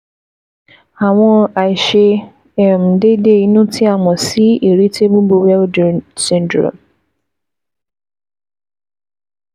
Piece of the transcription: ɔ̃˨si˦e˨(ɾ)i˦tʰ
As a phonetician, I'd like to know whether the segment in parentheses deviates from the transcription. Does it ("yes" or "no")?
no